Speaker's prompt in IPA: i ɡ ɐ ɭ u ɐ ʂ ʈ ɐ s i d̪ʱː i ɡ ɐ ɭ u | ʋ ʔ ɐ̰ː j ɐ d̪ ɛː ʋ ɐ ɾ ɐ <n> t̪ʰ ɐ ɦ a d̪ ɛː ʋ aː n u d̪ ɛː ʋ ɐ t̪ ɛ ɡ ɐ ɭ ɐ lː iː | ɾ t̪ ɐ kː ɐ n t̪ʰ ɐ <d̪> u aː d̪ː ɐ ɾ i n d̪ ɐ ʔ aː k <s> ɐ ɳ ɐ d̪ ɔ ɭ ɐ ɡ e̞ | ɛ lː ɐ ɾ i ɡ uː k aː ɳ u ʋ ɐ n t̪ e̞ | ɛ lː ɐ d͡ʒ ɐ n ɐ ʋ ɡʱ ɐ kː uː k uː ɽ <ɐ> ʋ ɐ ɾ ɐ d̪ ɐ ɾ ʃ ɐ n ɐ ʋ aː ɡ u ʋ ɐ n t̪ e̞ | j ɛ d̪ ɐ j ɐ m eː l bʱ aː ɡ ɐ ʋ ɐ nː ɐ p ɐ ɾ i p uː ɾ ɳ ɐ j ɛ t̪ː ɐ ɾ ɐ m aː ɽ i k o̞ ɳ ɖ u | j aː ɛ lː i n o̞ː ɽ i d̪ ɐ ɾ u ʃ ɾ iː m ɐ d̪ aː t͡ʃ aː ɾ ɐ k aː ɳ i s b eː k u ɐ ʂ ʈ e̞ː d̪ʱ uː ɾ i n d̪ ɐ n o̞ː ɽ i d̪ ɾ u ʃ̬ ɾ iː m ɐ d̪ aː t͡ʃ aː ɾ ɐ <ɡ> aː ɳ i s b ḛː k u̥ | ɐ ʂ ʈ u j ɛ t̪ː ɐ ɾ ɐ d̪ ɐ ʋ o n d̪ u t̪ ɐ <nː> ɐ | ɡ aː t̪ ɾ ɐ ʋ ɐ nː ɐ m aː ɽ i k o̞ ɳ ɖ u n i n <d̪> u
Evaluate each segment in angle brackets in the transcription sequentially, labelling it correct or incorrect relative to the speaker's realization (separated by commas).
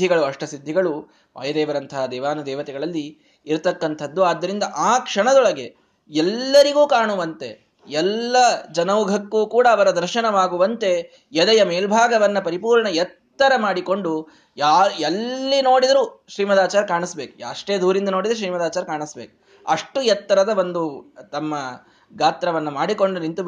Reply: correct, incorrect, incorrect, incorrect, incorrect, incorrect, incorrect